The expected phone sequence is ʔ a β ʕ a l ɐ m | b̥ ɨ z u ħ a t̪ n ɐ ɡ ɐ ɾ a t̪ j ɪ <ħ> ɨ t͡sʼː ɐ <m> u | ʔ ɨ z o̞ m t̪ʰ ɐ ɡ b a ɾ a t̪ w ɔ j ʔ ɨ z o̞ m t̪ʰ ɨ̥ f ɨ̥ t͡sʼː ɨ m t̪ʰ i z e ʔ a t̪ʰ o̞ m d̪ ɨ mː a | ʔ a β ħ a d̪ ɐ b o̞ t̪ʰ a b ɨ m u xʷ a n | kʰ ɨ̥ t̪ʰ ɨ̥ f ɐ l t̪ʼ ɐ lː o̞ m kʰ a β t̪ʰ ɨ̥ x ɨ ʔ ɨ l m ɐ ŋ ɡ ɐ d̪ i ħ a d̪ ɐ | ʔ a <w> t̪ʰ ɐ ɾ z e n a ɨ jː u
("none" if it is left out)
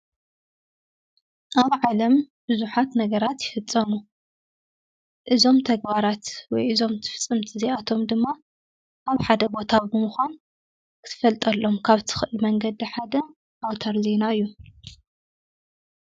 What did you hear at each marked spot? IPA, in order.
f, m, w

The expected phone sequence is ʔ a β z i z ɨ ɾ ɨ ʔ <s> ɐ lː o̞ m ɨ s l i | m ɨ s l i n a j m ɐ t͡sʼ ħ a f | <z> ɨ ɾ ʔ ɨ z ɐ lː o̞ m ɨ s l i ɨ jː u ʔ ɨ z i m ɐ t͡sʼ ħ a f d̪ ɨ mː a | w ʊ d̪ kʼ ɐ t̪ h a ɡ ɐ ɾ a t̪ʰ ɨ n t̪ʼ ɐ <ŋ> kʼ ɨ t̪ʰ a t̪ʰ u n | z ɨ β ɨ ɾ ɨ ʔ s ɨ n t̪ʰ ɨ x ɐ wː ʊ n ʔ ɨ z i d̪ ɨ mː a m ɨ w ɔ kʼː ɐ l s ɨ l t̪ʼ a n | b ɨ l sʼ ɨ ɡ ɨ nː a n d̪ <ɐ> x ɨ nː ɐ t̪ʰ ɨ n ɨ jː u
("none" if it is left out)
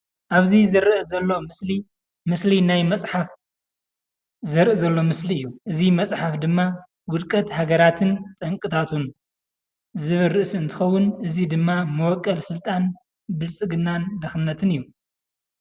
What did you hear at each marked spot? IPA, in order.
z, z, ŋ, ɐ

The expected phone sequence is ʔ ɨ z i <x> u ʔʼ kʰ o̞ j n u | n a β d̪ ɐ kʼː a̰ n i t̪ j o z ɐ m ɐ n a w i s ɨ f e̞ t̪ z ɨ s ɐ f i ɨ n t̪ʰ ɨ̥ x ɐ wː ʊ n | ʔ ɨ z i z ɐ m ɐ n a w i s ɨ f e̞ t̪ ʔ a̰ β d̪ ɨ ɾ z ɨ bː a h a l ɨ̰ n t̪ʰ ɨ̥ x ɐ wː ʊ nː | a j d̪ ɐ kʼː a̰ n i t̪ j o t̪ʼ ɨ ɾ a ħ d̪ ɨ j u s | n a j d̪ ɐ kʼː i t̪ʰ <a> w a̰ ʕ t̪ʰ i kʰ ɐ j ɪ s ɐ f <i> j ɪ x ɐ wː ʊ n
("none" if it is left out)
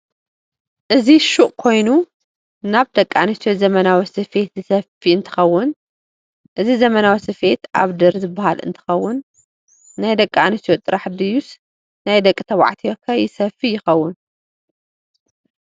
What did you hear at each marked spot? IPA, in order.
ʃ, ɐ, i

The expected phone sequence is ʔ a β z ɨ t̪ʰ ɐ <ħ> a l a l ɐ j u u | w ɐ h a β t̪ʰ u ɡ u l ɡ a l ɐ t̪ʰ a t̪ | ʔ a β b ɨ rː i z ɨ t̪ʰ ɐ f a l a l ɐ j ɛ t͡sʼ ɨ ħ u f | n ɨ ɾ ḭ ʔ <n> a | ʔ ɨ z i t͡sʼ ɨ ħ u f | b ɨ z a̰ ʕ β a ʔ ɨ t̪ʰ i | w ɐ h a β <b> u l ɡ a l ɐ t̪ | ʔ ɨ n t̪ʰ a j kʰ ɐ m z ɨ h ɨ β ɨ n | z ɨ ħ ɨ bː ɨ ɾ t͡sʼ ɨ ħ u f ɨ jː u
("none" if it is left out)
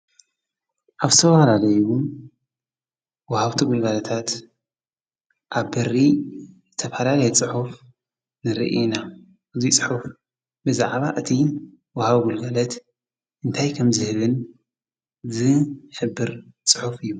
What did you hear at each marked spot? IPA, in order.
f, n, ɡ

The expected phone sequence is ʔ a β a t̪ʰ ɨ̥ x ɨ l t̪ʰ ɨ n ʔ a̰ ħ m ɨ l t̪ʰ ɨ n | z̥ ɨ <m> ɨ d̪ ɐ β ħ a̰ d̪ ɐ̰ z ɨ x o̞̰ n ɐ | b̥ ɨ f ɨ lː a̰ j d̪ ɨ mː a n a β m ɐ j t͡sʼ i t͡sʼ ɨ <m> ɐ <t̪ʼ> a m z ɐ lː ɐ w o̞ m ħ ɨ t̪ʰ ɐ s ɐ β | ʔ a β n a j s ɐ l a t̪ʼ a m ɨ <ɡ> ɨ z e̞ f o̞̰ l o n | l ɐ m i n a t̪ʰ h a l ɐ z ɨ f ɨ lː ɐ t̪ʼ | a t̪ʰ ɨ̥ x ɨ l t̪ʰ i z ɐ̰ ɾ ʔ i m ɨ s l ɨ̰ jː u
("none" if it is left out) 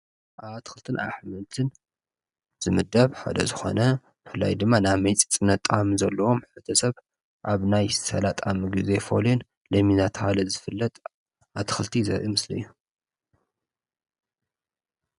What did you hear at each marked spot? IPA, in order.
m, n, t̪ʼ, ɡ

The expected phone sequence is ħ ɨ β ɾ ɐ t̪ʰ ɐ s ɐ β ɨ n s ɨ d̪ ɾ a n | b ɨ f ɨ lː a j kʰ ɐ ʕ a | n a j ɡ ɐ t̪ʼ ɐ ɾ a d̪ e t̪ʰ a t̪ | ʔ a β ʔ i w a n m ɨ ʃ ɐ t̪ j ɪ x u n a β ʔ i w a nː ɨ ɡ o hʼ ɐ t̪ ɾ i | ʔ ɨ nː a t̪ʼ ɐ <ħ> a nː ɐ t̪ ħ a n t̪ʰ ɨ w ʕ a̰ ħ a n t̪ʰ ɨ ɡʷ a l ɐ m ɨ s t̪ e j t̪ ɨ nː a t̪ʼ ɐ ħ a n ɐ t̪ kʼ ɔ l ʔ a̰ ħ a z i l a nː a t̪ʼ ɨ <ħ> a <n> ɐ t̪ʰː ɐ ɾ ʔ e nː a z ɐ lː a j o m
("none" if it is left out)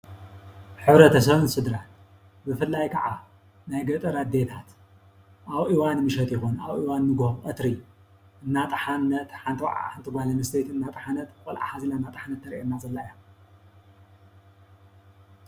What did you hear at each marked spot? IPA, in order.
ħ, ħ, n

